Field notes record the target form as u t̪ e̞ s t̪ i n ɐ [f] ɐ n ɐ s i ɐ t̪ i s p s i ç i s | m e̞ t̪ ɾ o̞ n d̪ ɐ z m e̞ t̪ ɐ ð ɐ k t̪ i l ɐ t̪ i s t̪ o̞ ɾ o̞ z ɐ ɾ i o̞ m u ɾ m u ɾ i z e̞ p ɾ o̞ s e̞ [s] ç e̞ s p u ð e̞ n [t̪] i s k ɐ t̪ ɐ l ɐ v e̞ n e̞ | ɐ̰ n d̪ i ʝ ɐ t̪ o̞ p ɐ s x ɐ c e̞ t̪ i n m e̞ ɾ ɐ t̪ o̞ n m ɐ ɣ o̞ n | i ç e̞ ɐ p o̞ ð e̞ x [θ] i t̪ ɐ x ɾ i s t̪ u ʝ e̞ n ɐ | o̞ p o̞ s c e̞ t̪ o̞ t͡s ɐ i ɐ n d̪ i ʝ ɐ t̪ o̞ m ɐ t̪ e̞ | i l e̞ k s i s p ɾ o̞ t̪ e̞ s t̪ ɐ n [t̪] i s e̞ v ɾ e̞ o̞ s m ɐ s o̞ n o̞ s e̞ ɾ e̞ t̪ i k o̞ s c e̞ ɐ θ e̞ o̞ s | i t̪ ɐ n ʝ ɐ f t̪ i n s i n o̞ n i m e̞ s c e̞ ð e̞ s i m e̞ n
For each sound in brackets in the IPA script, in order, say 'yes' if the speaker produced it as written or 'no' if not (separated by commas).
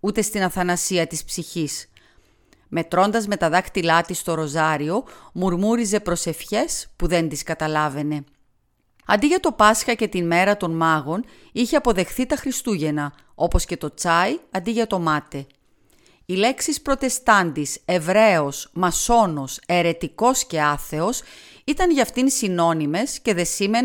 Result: no, no, no, yes, no